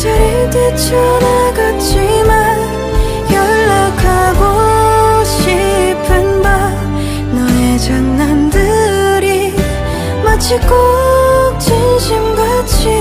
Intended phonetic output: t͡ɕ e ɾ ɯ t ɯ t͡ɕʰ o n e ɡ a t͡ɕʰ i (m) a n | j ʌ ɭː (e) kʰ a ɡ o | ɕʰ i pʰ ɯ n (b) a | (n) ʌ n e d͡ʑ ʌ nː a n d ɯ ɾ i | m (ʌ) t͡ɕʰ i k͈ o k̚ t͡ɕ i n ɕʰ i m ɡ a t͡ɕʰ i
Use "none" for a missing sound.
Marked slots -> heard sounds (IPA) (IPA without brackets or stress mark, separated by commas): m, a, b, n, a